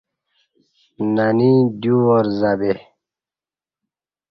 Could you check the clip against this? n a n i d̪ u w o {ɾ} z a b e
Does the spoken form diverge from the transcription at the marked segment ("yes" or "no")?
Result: no